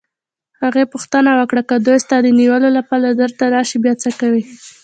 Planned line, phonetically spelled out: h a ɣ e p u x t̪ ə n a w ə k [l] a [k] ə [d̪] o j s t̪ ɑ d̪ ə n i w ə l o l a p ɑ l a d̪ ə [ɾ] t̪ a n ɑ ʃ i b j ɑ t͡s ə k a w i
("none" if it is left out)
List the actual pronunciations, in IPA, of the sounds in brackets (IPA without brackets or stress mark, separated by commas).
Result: ɽ, k, d̪, ɾ